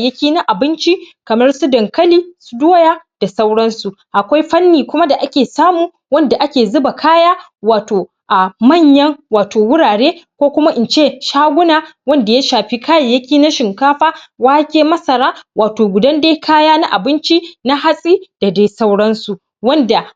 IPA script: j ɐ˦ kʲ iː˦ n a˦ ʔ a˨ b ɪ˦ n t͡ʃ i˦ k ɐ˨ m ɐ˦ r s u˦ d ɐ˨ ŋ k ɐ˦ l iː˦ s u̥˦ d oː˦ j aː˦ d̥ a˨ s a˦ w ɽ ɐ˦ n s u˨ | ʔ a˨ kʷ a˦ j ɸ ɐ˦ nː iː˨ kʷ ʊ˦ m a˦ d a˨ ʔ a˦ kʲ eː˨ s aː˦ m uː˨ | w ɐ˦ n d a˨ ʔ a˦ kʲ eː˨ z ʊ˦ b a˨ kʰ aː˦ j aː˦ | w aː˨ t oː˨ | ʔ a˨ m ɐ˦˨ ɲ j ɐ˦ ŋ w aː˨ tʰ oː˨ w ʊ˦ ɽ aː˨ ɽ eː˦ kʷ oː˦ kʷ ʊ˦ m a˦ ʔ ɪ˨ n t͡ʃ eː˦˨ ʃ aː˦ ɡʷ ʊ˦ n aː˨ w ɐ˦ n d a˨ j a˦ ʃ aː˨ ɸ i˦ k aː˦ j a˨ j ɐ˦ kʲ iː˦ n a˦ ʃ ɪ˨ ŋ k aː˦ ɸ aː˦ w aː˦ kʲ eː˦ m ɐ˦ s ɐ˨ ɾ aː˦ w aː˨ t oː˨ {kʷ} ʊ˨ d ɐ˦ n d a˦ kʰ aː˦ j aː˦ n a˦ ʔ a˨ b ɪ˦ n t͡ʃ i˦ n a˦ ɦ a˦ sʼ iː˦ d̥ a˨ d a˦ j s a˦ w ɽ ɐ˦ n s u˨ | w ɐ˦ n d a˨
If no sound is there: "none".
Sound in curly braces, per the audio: ɡʷ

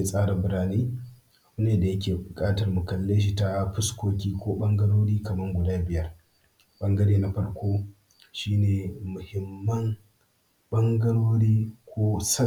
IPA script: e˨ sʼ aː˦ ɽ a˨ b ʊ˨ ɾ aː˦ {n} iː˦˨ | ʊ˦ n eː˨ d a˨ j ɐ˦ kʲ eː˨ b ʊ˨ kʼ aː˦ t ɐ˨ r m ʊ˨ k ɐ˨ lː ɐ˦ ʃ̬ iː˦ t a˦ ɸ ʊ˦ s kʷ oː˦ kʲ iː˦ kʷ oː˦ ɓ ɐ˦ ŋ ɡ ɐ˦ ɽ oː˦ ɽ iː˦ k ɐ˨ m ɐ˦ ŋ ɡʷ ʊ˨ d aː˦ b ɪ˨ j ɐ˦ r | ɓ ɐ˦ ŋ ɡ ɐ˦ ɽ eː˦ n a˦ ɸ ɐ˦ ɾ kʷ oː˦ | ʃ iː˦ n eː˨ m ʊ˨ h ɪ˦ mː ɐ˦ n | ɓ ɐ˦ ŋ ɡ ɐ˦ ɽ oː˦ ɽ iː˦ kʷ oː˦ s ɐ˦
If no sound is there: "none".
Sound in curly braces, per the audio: n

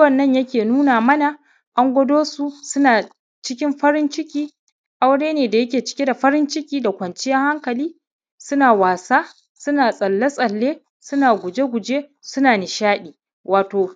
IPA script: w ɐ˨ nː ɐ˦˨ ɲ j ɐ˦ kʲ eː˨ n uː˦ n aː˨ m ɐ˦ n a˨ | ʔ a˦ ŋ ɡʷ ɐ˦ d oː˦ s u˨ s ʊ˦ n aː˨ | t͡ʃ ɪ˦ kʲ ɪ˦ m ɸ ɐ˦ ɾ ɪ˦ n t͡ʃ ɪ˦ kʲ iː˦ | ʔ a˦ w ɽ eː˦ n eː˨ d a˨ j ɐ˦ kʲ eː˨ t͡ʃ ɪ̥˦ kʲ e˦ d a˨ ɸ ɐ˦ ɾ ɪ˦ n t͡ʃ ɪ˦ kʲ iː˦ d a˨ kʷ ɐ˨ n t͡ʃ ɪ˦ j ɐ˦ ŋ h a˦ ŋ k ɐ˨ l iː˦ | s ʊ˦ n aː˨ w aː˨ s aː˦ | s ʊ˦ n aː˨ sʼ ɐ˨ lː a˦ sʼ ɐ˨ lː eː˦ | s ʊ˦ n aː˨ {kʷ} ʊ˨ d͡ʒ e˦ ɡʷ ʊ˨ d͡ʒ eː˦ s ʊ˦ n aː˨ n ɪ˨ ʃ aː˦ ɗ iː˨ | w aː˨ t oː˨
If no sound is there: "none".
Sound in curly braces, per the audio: ɡʷ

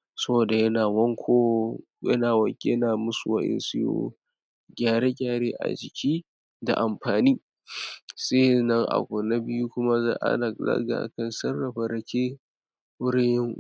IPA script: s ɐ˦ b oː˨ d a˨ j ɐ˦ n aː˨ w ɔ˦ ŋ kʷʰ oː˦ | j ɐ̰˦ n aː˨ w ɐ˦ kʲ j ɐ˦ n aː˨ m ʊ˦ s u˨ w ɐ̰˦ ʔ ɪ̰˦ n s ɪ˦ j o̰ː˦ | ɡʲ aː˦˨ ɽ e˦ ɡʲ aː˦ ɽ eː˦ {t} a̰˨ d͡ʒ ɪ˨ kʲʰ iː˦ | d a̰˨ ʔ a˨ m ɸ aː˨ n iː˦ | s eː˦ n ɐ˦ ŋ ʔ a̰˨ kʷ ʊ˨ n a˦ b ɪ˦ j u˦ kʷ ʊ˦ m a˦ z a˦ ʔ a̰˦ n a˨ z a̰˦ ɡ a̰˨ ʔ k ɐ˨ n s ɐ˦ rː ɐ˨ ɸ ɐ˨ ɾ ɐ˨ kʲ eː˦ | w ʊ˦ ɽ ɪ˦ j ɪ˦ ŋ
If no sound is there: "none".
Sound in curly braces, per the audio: ʔ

